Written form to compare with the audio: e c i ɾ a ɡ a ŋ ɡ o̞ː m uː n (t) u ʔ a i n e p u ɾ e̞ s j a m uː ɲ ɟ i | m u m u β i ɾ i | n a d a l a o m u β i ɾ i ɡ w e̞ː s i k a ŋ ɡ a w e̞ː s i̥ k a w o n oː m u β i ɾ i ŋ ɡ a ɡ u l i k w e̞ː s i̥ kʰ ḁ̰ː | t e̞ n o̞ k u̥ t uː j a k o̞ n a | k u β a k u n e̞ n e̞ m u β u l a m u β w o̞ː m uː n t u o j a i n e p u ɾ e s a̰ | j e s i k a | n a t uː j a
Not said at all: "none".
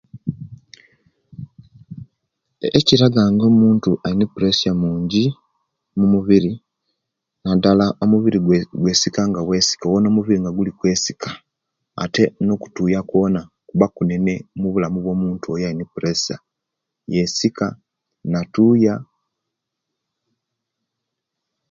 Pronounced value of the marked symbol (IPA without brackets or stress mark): t